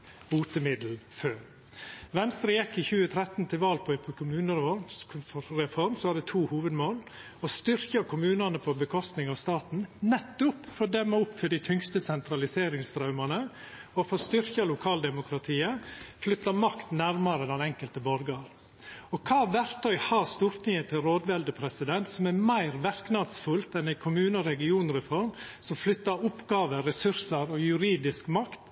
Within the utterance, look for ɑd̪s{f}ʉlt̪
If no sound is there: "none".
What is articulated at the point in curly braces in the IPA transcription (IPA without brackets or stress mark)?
f